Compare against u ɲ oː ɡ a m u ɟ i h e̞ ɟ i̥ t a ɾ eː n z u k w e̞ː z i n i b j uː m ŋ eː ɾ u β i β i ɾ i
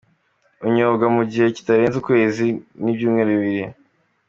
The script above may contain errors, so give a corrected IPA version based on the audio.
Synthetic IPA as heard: u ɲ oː ɡ a m u ɟ i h e̞ c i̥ t a ɾ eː n z u k w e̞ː z i n i b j uː m ŋ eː ɾ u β i β i ɾ i